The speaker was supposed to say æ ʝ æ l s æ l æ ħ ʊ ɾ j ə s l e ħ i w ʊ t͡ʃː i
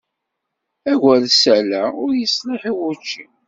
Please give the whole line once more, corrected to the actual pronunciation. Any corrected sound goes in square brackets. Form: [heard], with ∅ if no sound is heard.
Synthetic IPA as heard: æ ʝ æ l s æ l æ [∅] ʊ ɾ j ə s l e ħ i w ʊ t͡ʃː i